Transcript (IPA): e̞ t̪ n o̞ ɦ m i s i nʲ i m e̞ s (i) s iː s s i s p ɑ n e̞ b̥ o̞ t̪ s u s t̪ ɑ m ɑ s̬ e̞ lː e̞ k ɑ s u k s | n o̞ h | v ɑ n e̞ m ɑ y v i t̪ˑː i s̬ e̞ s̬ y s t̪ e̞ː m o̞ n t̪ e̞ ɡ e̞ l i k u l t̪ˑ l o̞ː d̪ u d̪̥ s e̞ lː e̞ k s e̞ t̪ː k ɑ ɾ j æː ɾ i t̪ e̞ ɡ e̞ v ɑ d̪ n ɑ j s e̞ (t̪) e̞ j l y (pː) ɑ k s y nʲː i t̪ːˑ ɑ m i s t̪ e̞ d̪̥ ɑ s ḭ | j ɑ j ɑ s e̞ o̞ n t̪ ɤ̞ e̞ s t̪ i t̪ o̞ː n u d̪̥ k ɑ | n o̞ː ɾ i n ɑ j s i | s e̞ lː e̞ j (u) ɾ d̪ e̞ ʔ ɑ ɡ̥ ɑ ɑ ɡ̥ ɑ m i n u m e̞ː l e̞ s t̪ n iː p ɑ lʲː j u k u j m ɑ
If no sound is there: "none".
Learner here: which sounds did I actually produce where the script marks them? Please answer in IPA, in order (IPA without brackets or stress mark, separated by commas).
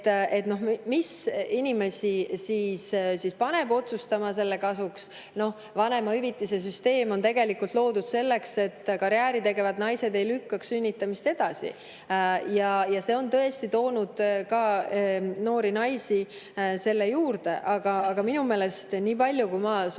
i, d̪, kː, uː